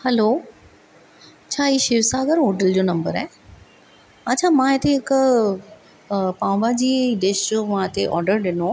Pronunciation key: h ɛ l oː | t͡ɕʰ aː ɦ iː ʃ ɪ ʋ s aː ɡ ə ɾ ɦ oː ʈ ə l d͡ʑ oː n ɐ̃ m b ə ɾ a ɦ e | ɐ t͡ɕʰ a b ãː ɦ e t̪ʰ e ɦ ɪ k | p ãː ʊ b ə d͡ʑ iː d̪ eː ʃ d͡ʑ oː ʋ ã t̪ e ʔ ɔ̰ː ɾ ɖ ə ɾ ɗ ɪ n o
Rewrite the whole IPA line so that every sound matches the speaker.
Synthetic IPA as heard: h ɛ l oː | t͡ɕʰ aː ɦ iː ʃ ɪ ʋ s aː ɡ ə ɾ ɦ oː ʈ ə l d͡ʑ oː n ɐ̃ m b ə ɾ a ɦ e | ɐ t͡ɕʰ a m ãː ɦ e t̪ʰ e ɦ ɪ k | p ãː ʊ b a d͡ʑ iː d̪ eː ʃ d͡ʑ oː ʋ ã t̪ e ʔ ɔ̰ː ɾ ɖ ə ɾ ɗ ɪ n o